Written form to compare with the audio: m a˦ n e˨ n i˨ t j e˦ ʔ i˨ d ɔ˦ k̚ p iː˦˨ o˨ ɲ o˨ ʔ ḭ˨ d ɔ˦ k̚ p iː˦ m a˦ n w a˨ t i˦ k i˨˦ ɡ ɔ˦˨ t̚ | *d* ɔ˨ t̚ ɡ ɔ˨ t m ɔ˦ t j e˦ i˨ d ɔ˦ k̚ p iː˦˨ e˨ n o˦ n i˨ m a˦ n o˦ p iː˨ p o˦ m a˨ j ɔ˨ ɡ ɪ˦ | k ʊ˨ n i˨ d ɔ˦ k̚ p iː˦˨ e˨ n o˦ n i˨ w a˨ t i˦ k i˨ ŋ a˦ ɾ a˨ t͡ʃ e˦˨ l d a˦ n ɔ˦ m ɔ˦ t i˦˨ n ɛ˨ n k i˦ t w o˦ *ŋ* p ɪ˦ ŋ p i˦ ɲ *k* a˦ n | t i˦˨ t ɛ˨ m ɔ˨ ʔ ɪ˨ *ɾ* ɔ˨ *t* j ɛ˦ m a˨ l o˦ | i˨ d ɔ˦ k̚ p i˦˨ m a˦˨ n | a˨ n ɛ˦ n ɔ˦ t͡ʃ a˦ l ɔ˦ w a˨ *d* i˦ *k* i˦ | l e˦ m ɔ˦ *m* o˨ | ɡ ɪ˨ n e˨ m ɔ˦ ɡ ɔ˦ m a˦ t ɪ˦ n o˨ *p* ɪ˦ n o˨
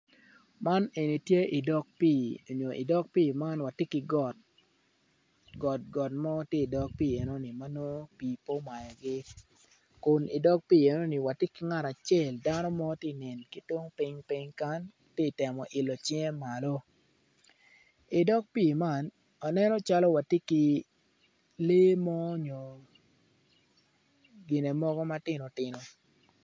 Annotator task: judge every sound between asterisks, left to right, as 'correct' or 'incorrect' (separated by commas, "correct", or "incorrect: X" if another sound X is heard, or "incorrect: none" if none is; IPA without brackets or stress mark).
incorrect: ɡ, correct, correct, incorrect: l, incorrect: t͡ʃ, incorrect: t, correct, incorrect: ɲ, incorrect: t